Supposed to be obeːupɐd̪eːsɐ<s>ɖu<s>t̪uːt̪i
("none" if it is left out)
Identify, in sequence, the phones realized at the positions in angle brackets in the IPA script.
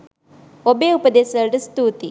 none, s

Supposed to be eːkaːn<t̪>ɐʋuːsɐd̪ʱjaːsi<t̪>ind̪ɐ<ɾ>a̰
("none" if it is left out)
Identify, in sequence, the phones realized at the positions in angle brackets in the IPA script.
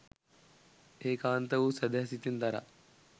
t̪, t̪, ɾ

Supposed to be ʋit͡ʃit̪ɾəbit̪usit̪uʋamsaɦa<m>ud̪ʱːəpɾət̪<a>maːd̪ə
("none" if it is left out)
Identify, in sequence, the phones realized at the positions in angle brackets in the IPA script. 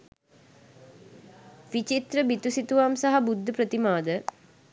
b, i

